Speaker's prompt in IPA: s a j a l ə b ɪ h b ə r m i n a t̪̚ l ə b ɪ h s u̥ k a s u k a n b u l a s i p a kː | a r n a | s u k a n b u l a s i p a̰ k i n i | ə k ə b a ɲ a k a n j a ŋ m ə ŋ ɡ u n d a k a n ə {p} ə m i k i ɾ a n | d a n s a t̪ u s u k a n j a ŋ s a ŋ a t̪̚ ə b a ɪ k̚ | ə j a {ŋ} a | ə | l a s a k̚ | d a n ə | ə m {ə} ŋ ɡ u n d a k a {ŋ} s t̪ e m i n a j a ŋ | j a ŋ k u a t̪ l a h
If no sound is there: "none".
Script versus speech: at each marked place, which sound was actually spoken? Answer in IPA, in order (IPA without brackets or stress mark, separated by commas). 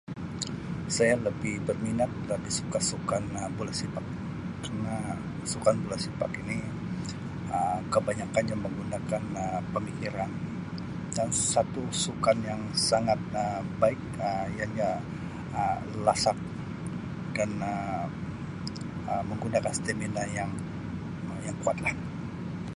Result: p, ɲ, ə, n